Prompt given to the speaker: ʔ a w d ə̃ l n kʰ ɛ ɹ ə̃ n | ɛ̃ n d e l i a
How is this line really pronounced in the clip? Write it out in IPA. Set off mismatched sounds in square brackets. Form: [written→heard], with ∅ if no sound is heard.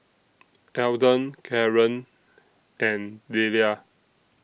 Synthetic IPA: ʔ [a→ɛ] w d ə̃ [l→∅] n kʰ ɛ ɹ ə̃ n | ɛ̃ n d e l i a

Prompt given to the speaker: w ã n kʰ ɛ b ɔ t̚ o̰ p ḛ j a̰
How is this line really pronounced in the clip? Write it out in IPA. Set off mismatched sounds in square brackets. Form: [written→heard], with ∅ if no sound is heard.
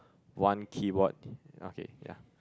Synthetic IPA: w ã n kʰ [ɛ→i] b ɔ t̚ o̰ [p→k] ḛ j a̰

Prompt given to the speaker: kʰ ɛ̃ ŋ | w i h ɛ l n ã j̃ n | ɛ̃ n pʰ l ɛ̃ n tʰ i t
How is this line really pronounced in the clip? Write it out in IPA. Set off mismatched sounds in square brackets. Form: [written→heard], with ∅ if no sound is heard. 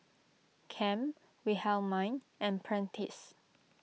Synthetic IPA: kʰ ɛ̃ [ŋ→m] | w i h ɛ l [n→m] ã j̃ n | ɛ̃ n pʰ [l→ɹ] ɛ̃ n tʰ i [t→s]

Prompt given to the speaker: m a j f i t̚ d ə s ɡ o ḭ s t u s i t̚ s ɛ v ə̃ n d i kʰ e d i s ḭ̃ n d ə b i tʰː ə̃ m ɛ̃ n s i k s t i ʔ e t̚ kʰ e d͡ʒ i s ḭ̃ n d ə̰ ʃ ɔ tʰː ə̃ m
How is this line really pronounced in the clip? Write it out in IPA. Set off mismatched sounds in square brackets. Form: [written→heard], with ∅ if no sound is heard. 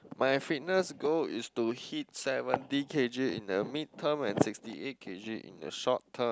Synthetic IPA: m a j f i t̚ [d→n] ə s ɡ o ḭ s t u [s→h] i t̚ s ɛ v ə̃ n d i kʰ e [d→d͡ʒ] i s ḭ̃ n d ə [b→m] i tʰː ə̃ m ɛ̃ n s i k s t i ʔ e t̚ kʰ e d͡ʒ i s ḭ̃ n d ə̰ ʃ ɔ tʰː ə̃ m

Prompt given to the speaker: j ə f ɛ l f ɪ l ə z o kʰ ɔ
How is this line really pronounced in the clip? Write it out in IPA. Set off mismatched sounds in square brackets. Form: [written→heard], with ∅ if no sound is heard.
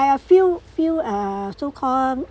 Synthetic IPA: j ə f [ɛ→i] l f [ɪ→i] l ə [z→s] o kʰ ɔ

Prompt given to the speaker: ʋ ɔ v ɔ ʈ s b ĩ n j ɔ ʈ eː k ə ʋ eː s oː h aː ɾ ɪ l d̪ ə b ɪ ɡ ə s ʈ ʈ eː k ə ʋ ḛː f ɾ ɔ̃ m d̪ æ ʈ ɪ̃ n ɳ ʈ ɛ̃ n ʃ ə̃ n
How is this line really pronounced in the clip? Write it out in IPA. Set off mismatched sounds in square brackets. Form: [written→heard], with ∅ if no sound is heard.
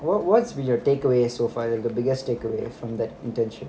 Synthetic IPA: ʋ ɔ [v→ʋ] ɔ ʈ s b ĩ n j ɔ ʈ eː k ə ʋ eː s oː [h→f] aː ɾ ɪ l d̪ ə b ɪ ɡ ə s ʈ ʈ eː k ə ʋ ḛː f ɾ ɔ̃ m d̪ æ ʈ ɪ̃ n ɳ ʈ ɛ̃ n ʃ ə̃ n

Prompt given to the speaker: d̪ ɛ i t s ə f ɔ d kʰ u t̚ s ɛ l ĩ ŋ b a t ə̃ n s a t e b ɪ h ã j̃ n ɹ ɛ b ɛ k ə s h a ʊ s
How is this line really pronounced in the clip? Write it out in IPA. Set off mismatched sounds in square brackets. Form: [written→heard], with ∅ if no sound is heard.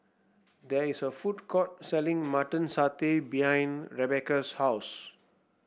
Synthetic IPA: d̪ ɛ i [t→∅] s ə f [ɔ→u] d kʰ [u→ɔ] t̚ s ɛ l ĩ ŋ [b→m] a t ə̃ n s a t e b [ɪ→i] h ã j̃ n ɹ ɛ b ɛ k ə s h a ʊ s

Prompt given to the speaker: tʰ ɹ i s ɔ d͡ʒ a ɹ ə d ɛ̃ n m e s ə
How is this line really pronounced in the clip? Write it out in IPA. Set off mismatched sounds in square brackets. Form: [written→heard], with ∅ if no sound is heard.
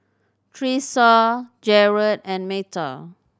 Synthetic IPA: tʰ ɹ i s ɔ d͡ʒ [a→ɛ] ɹ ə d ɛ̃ n m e [s→t] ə

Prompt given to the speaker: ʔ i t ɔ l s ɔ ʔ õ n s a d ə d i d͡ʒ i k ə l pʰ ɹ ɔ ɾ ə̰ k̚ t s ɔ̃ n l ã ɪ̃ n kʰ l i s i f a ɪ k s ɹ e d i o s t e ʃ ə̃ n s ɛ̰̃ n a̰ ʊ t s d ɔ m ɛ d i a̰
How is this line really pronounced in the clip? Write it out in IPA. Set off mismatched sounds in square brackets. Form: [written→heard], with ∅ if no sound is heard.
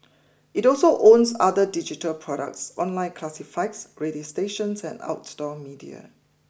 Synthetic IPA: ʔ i t ɔ l s [ɔ→o] ʔ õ n s a d ə d i d͡ʒ i [k→t] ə l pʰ ɹ ɔ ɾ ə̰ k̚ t s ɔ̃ n l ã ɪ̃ n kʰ l [i→a] s i f a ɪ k s ɹ e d i o s t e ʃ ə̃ n s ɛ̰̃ n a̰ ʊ t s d ɔ m [ɛ→i] d i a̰

